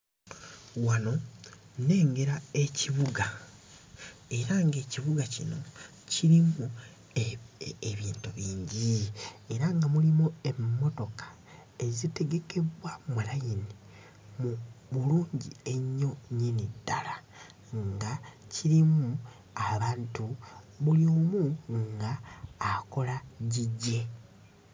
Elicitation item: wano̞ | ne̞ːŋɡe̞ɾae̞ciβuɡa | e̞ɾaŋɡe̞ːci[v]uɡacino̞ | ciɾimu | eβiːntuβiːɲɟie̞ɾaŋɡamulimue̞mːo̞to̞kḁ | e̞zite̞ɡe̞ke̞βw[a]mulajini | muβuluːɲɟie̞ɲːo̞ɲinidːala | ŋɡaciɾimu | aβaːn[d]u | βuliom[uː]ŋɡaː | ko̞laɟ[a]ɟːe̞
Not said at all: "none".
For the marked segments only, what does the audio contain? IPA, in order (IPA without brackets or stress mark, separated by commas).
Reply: β, a, t, u, i